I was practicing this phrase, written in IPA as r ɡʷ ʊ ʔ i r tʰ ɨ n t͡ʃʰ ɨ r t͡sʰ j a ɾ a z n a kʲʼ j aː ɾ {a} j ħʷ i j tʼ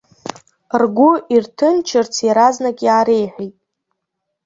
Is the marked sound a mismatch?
yes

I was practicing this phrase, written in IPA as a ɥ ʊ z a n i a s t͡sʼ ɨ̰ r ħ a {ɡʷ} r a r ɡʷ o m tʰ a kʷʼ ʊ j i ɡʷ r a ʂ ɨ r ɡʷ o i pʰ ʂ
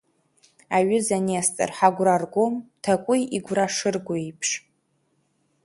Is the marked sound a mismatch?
no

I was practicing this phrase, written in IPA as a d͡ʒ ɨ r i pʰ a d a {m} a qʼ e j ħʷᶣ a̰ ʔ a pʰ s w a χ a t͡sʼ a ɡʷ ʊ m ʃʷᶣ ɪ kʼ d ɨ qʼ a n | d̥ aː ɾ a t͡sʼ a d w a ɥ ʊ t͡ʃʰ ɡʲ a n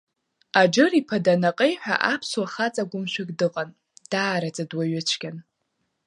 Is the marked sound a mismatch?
yes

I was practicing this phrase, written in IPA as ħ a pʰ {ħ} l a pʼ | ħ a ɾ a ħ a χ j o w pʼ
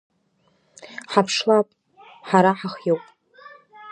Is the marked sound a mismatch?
yes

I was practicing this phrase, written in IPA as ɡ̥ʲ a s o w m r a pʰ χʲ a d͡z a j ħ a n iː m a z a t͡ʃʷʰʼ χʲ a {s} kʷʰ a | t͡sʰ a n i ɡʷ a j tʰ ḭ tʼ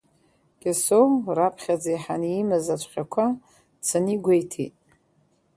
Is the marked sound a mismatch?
yes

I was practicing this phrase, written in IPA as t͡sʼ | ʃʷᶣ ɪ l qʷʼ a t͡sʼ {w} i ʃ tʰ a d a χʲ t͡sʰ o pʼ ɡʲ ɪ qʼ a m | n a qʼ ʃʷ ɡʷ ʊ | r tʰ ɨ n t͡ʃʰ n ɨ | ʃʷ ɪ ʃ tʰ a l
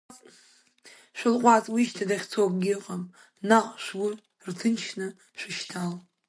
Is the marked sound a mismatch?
no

